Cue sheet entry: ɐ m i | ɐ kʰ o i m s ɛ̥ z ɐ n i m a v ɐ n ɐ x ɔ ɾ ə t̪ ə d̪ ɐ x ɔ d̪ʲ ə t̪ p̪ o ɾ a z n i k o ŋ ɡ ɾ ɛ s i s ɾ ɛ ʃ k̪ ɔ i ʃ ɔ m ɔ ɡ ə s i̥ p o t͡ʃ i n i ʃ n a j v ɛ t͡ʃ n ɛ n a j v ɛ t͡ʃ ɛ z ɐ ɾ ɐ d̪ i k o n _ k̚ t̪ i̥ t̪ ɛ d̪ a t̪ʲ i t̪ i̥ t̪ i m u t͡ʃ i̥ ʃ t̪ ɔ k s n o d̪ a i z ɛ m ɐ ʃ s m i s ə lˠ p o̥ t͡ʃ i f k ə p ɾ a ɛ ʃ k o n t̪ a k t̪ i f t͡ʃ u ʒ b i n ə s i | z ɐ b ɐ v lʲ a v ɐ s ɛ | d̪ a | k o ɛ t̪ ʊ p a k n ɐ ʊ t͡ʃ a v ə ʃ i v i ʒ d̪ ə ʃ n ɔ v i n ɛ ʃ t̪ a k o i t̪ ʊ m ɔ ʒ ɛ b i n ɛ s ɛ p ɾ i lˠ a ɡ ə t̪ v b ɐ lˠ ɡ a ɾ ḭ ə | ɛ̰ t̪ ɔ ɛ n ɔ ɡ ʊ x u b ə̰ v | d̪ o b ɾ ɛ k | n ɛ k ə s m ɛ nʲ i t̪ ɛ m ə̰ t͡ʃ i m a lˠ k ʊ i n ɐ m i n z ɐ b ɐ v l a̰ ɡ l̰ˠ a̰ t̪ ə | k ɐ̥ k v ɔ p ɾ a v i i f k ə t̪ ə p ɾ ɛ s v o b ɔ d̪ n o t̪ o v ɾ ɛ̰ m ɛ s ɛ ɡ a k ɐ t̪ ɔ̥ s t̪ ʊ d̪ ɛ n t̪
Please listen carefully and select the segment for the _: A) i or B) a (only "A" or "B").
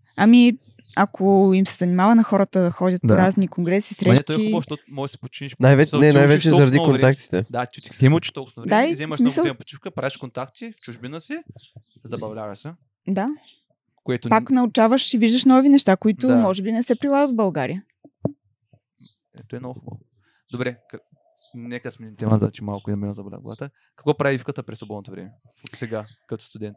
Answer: B